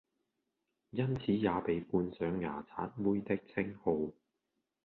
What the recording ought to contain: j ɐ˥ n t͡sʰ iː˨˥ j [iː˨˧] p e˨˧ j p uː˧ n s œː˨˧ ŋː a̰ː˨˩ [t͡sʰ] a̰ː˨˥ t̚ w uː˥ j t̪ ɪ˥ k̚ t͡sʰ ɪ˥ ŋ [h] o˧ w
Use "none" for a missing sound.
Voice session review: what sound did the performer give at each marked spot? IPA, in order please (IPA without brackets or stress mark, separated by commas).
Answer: aː˨˧, t͡sʰ, h